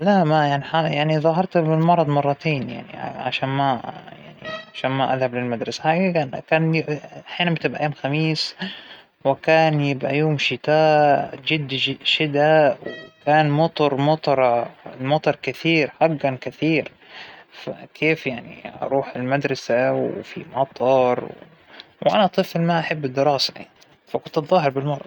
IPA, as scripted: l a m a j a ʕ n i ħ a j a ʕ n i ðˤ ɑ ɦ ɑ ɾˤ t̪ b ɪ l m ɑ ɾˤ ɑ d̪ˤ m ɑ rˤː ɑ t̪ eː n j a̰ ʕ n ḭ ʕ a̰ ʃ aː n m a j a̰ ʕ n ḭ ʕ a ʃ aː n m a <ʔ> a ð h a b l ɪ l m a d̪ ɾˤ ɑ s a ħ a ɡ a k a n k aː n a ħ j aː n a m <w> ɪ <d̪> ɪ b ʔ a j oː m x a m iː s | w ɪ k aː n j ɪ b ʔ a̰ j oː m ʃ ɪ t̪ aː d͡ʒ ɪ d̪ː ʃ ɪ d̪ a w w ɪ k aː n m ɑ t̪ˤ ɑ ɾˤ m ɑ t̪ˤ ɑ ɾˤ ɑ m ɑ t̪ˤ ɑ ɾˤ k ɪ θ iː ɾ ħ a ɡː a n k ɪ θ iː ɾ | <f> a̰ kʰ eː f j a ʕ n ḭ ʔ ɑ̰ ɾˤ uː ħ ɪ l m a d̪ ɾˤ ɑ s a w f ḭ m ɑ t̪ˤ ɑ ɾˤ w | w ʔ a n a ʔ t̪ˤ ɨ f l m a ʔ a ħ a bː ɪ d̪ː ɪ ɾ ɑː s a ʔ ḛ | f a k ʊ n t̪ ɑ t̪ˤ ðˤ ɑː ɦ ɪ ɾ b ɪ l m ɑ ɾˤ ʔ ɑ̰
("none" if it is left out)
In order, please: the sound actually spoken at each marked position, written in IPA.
ʔ, b, t̪, f

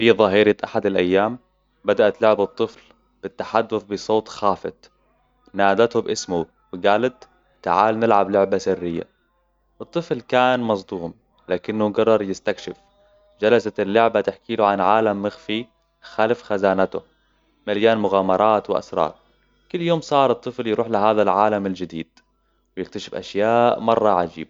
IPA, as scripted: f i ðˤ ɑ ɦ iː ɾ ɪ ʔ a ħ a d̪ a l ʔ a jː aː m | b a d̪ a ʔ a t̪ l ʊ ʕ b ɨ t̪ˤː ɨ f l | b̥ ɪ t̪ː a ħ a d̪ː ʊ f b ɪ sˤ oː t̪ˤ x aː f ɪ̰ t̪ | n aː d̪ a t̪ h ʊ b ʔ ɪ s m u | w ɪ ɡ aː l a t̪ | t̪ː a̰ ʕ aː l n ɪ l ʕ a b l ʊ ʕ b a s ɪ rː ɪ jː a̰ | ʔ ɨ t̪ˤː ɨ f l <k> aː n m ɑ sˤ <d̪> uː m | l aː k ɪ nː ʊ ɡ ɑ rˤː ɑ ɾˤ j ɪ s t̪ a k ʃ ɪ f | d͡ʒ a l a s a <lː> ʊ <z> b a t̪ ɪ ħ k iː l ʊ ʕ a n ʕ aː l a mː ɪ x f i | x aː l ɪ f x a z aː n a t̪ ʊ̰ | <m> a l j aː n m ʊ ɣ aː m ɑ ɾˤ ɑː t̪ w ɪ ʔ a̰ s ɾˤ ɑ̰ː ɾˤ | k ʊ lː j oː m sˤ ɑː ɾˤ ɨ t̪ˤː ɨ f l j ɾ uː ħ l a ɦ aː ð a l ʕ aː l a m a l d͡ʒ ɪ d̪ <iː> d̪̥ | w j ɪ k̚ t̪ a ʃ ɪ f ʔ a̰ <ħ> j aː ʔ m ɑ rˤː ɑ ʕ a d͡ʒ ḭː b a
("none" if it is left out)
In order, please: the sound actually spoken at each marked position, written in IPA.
k, d̪, lː, ʕ, m, iː, ʃ

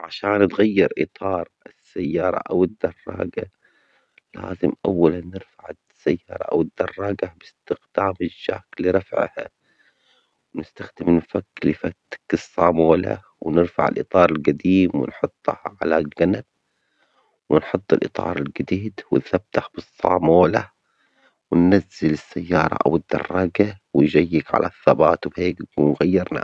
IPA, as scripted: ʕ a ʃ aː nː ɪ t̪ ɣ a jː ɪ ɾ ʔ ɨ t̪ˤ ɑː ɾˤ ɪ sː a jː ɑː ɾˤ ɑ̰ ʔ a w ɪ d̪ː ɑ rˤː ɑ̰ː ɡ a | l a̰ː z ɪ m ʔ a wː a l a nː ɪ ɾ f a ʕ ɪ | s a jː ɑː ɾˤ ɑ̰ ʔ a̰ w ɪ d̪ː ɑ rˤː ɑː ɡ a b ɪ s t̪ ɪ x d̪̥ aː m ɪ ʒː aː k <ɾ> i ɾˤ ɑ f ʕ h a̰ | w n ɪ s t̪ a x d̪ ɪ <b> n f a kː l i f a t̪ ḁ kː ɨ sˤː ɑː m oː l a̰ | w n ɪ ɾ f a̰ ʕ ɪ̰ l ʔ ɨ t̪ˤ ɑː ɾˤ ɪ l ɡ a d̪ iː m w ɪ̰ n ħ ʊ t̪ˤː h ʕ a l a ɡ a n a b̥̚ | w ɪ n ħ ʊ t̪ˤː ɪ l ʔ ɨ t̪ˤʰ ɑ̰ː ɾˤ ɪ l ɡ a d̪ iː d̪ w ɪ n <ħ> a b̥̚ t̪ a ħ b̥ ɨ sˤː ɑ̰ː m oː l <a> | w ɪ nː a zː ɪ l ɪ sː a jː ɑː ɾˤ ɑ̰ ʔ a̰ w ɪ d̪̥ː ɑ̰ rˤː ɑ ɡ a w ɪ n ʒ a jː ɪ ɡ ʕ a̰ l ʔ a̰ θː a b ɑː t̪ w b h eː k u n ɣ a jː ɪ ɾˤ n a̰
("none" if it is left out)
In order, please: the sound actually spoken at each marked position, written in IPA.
l, m, θ, a

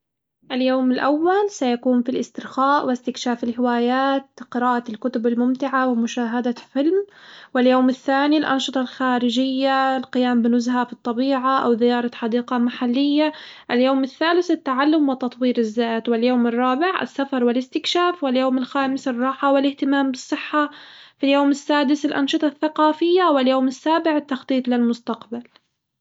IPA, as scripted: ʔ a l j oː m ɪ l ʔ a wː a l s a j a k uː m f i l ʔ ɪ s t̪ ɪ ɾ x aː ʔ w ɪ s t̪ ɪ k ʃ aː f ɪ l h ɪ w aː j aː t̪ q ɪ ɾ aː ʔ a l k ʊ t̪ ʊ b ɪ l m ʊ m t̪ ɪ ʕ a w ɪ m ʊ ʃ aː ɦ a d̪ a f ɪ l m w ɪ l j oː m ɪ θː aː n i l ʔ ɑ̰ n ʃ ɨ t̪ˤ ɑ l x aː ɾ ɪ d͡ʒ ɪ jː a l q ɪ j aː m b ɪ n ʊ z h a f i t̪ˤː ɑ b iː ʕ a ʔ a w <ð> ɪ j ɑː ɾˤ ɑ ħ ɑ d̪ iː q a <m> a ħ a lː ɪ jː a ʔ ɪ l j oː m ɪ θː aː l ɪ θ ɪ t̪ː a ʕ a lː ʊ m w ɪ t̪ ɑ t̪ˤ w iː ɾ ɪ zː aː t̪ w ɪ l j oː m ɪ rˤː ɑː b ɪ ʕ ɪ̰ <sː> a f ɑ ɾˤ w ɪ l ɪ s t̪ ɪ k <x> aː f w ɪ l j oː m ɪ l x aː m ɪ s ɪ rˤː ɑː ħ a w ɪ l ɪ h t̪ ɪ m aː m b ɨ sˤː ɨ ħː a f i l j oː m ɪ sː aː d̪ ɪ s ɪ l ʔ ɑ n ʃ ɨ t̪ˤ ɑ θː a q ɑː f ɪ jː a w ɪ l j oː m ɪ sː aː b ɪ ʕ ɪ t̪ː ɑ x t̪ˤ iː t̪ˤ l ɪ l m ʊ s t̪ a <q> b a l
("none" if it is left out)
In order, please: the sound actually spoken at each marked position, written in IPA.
ð, m, sː, ʃ, q

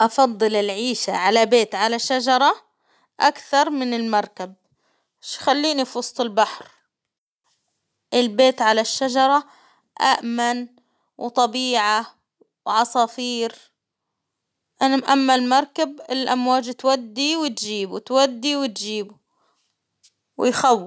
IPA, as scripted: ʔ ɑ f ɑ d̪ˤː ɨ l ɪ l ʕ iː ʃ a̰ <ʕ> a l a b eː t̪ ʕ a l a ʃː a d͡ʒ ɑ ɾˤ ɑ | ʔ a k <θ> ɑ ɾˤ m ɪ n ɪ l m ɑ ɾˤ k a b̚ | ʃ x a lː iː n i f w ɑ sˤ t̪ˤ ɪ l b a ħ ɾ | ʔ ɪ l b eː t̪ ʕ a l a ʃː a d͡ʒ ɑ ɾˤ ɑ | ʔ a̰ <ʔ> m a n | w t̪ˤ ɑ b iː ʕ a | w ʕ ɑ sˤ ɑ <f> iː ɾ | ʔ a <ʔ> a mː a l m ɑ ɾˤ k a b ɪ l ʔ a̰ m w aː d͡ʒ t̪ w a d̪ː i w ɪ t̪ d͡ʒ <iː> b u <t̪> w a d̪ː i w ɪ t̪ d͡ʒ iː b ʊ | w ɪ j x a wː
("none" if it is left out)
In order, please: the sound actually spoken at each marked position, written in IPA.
ʕ, θ, ʔ, f, ʔ, iː, t̪

